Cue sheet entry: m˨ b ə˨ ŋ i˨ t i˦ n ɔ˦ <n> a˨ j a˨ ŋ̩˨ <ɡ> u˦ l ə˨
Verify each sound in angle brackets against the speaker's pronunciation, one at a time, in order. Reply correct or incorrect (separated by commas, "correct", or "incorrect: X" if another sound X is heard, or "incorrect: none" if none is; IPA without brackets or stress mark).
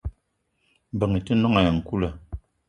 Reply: incorrect: ŋ, incorrect: k